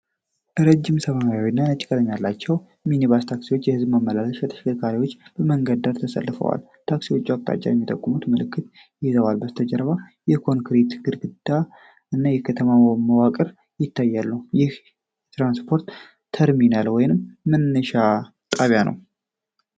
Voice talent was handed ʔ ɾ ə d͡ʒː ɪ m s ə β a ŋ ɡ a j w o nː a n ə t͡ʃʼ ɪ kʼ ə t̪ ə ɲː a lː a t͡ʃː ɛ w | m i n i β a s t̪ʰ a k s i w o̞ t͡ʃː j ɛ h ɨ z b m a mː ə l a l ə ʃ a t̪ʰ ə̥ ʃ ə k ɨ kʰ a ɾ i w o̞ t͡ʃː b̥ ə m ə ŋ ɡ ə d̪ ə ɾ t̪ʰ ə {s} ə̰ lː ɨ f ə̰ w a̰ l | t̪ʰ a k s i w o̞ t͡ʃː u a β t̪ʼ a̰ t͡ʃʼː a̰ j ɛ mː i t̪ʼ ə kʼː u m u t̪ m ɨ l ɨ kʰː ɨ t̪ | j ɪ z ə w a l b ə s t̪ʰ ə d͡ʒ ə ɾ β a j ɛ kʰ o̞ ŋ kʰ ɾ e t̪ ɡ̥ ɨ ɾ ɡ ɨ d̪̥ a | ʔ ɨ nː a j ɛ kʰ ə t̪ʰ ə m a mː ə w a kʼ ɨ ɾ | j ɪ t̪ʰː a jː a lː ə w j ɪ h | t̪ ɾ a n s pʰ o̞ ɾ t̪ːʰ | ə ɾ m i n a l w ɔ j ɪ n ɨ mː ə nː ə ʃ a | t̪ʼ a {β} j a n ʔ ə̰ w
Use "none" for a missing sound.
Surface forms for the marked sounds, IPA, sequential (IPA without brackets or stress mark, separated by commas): s, β